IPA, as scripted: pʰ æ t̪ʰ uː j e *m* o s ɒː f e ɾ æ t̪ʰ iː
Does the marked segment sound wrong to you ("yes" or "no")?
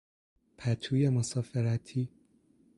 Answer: no